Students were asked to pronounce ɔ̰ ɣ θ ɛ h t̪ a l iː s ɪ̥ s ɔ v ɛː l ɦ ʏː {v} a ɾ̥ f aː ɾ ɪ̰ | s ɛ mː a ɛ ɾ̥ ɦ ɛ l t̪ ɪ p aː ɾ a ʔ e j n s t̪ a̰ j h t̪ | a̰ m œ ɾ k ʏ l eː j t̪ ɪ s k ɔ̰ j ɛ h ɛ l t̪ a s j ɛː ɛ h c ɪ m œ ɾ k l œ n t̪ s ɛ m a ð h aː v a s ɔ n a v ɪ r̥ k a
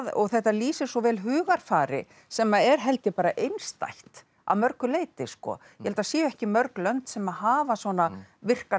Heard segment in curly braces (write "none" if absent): ɣ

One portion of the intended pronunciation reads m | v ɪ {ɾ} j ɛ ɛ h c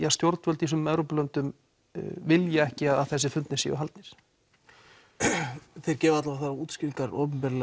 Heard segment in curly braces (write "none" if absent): l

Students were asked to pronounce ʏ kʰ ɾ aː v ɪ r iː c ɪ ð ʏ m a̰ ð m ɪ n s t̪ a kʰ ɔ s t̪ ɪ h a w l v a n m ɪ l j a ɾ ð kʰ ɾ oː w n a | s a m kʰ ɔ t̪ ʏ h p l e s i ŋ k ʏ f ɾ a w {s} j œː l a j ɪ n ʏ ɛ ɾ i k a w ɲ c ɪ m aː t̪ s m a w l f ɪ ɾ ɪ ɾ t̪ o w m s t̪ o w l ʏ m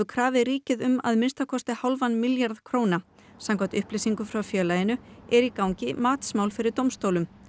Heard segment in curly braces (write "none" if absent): f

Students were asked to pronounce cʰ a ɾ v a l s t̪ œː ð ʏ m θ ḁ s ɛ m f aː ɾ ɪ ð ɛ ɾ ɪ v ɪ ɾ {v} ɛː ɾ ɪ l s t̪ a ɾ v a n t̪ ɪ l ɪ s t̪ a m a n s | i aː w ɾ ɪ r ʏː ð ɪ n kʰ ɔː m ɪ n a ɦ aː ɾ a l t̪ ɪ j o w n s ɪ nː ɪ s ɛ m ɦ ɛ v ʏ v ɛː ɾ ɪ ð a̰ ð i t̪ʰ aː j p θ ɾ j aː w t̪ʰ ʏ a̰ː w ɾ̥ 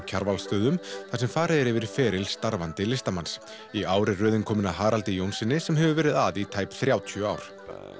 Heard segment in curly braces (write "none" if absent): f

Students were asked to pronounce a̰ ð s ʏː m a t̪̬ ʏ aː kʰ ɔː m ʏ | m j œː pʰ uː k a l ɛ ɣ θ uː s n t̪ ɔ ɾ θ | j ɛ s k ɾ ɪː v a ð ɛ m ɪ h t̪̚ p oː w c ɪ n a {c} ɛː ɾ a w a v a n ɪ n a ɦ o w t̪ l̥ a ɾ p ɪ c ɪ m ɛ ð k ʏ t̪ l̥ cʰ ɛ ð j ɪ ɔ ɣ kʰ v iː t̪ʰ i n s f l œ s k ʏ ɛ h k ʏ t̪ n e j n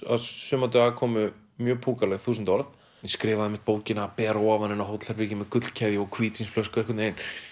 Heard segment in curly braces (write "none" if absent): p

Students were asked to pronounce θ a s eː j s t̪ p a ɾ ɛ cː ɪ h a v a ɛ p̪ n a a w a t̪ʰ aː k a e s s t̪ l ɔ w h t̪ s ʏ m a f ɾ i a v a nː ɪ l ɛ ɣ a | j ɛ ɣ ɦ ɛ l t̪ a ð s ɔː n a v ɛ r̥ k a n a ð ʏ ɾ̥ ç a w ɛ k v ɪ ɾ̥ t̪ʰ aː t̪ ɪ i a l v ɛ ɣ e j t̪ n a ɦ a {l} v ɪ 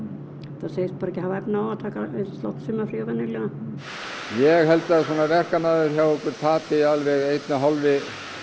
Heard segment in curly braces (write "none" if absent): l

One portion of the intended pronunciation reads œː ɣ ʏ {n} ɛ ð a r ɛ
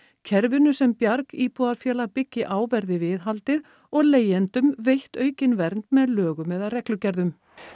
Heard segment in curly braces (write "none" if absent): m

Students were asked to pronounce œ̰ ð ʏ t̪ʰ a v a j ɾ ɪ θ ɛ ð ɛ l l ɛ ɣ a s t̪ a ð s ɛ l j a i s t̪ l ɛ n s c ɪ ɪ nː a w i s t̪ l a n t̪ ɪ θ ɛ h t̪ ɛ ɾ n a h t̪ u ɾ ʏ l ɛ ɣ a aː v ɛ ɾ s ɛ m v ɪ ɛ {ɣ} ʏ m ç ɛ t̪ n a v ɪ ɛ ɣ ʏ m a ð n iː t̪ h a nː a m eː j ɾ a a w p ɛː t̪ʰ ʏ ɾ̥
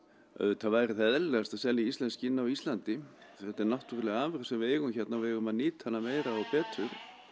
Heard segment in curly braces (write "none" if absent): ɣ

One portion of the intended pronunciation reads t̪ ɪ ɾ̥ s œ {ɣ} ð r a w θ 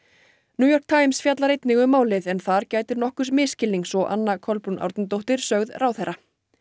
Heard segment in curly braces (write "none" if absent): ɣ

